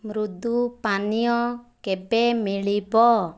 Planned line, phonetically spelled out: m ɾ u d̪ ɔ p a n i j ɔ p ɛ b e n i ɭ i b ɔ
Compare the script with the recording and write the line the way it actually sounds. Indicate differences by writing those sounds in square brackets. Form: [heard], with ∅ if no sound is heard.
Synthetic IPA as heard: m ɾ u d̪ [u] p a n i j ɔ [k] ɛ b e [m] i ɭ i b ɔ